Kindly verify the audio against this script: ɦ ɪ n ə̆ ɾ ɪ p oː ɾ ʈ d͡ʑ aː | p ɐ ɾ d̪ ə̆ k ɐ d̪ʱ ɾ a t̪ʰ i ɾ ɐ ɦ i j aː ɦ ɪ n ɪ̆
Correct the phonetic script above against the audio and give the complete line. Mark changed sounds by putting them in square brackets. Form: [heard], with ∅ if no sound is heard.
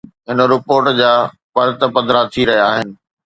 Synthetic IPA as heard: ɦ ɪ n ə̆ ɾ ɪ p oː ɾ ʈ d͡ʑ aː | p ɐ ɾ [t̪] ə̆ [p] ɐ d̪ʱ ɾ a t̪ʰ i ɾ ɐ ɦ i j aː ɦ ɪ n ɪ̆